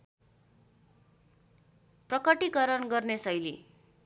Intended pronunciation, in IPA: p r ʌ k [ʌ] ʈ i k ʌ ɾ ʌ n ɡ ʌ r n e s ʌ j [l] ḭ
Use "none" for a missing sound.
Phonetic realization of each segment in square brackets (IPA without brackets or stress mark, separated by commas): ʌ, l